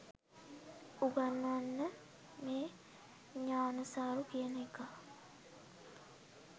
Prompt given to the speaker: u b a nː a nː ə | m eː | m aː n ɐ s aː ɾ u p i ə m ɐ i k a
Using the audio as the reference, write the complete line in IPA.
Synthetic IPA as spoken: u ɡ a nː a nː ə | m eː | ɲ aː n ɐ s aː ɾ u k i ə n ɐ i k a